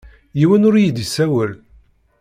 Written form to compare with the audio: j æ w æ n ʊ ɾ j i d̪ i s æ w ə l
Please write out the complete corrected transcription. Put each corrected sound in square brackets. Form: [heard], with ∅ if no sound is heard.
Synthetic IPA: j [i] w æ n ʊ ɾ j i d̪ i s æ w ə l